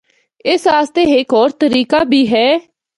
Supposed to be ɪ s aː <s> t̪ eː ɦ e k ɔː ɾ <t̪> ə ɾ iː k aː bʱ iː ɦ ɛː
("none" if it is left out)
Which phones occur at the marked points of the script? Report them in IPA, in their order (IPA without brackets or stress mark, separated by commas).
s, t̪